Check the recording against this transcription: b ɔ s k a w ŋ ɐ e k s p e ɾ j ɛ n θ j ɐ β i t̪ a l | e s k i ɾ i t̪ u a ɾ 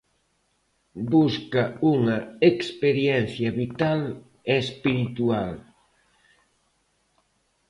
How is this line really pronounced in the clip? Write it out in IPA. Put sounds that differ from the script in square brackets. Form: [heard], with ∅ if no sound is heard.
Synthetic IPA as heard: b [u] s k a [u] ŋ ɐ e k s p e ɾ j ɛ n θ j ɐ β i t̪ a l | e s [p] i ɾ i t̪ u a [l]